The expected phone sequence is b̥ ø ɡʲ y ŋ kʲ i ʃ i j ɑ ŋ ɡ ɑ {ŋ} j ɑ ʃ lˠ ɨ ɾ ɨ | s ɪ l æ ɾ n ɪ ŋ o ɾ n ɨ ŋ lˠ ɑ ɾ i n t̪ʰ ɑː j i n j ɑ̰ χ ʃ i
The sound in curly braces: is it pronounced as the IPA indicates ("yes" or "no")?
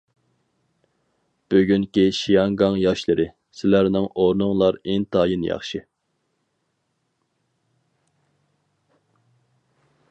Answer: yes